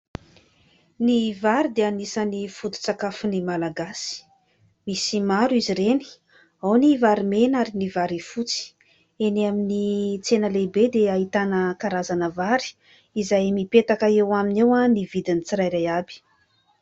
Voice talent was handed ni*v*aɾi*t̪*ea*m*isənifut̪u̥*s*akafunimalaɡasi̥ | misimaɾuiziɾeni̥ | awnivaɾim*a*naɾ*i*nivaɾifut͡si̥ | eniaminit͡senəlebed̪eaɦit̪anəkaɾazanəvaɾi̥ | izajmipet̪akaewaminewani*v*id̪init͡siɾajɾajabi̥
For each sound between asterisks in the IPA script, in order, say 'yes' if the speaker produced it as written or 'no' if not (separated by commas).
yes, no, no, no, no, yes, yes